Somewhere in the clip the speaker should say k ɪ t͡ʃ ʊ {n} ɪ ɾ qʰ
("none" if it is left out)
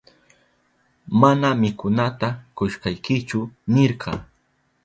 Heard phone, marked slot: n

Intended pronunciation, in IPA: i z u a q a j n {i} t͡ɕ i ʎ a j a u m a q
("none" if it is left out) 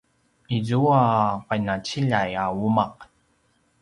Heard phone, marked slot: a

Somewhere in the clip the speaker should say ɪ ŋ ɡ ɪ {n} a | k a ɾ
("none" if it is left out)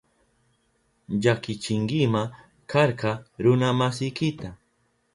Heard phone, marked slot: m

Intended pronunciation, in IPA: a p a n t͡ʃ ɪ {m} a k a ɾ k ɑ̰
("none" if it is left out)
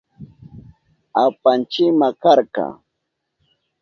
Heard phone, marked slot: m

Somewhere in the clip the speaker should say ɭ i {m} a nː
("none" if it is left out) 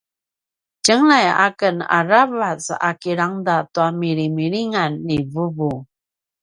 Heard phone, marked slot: ŋ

